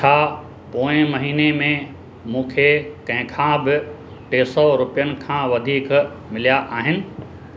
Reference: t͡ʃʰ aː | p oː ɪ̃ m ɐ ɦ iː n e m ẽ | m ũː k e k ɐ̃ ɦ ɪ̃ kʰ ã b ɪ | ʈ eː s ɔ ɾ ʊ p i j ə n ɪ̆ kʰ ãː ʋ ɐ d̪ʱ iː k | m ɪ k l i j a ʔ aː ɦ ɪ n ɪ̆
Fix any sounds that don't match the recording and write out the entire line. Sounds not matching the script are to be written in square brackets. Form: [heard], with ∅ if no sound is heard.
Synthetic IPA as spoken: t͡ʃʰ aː | p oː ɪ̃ m ɐ ɦ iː n e m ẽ | m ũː [kʰ] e k ɐ̃ ɦ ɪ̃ kʰ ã b ɪ | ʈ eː s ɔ ɾ ʊ p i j ə n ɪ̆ kʰ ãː ʋ ɐ d̪ʱ iː k | m ɪ [∅] l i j a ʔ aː ɦ ɪ n ɪ̆